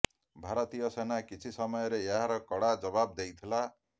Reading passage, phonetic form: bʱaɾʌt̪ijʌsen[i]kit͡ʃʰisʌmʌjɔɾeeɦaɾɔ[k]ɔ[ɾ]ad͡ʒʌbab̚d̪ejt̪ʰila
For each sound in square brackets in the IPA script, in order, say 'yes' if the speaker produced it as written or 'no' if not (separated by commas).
no, yes, no